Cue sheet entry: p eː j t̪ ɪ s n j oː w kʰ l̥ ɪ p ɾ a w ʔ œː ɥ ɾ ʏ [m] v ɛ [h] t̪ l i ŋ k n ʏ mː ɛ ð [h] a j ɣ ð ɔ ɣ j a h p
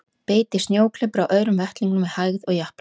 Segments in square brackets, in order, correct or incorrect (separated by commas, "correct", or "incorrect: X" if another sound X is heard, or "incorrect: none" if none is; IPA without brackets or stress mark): correct, correct, correct